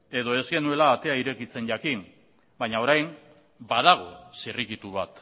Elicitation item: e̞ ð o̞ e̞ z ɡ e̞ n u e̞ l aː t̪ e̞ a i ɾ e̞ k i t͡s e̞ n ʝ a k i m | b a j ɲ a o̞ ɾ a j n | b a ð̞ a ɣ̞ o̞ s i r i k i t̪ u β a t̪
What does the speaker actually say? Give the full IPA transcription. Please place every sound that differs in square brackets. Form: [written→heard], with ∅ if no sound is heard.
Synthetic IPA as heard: e̞ ð o̞ e̞ z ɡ e̞ n u e̞ l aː t̪ e̞ a i ɾ e̞ k i t͡s e̞ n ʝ a k i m | b a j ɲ a o̞ ɾ a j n | b a ð̞ a ɣ̞ o̞ s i r i k i t̪ u β a t̪